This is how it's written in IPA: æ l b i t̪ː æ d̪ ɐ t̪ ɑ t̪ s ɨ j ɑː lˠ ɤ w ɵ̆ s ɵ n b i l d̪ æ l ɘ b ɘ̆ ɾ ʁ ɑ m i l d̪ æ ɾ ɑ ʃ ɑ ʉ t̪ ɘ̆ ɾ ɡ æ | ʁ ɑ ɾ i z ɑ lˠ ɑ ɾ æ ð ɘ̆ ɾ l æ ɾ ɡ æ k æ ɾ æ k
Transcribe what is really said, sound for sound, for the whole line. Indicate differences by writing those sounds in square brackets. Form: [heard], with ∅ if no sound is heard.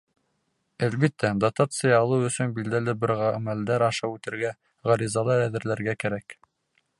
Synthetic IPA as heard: æ l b i t̪ː æ d̪ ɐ t̪ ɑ t̪ s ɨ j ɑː lˠ ɤ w ɵ̆ s ɵ n b i l d̪ æ l ɘ b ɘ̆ ɾ ʁ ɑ m [æ] l d̪ æ ɾ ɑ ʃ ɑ ʉ t̪ ɘ̆ ɾ ɡ æ | ʁ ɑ ɾ i z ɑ lˠ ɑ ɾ æ ð ɘ̆ ɾ l æ ɾ ɡ æ k æ ɾ æ k

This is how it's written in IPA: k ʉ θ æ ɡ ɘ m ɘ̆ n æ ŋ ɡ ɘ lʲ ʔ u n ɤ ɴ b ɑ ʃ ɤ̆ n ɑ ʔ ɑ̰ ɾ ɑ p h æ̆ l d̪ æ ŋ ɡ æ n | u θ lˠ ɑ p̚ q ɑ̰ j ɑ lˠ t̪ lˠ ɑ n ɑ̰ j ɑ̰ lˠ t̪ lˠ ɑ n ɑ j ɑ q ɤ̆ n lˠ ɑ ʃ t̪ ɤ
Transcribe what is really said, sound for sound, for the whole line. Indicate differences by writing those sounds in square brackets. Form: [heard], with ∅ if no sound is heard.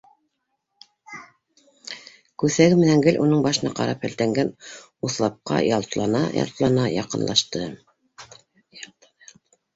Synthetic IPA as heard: k ʉ θ æ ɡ ɘ m ɘ̆ n æ ŋ ɡ ɘ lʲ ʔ u n ɤ ɴ b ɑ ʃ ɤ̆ n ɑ [q] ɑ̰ ɾ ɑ p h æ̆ l [t̪] æ ŋ ɡ æ n | u θ lˠ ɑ p̚ q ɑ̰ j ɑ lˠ t̪ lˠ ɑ n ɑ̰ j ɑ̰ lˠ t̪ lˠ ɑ n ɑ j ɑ q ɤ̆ n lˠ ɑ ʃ t̪ ɤ

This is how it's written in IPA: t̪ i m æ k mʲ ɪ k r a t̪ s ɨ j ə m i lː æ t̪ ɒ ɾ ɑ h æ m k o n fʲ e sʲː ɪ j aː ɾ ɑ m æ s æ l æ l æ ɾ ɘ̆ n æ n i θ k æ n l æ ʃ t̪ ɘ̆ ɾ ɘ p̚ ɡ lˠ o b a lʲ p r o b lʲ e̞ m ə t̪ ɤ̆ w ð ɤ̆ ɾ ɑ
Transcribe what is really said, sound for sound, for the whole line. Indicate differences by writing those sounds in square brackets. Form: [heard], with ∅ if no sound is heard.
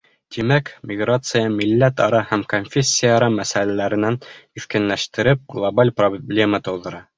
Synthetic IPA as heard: t̪ i m æ k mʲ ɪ [ɡ] r a t̪ s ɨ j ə m i lː æ t̪ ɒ ɾ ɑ h æ m k o n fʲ e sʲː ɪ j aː ɾ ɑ m æ s æ l æ l æ ɾ ɘ̆ n æ n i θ k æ n l æ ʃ t̪ ɘ̆ ɾ ɘ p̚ ɡ lˠ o b a lʲ p r o b lʲ e̞ m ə t̪ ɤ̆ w ð ɤ̆ ɾ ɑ

